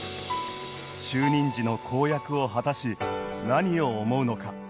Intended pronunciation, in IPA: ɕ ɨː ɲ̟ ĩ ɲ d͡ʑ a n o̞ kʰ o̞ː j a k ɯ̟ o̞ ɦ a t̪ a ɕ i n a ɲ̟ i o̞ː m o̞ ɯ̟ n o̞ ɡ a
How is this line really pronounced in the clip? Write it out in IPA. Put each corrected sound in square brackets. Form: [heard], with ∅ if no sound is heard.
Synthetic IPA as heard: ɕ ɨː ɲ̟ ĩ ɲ d͡ʑ [i] n o̞ kʰ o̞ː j a k ɯ̟ o̞ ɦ a t̪ a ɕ i n a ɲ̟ i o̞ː m o̞ ɯ̟ n o̞ [k] a